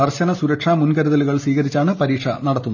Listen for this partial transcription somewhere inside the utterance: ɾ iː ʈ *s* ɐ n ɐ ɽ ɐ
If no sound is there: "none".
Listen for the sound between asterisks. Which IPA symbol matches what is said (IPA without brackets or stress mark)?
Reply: ʂ